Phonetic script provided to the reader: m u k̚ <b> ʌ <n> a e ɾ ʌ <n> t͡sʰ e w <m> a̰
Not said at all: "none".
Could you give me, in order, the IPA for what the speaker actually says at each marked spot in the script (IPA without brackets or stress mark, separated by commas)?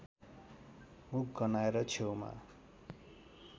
ɡ, n, none, m